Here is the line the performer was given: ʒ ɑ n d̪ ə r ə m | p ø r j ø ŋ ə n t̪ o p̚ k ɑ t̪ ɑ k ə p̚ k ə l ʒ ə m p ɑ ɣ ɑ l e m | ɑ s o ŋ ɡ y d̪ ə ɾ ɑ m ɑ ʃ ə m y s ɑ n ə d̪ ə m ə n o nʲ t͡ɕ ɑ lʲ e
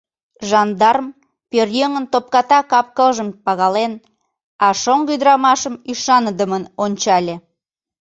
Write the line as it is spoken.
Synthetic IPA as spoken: ʒ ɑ n d̪ ɑ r ə m | p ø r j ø ŋ ə n t̪ o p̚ k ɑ t̪ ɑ k ɑ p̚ k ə l ʒ ə m p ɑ ɣ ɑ l e n | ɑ ʃ o ŋ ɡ y d̪ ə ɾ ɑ m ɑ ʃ ə m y ʃ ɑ n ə d̪ ə m ə n o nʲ t͡ɕ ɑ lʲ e